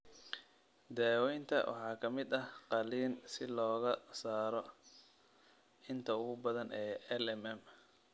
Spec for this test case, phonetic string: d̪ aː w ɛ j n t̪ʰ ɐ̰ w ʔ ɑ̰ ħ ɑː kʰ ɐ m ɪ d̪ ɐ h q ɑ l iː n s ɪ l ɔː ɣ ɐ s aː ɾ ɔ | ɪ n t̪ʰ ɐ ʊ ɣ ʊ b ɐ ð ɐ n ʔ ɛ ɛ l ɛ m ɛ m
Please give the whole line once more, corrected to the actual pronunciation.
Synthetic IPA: d̪ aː w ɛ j n t̪ʰ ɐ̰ w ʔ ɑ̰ ħ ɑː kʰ ɐ m ɪ d̪ ɐ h q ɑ l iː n s ɪ l ɔː ɣ ɐ s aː ɾ ɔ | ɪ n t̪ʰ ɐ ʊ ɣ ʊ b ɐ ð ɐ n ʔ ɛː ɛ l ɛ m ɛ m